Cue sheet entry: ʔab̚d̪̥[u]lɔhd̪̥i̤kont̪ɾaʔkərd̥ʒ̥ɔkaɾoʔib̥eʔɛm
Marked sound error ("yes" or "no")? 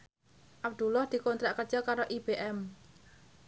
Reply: no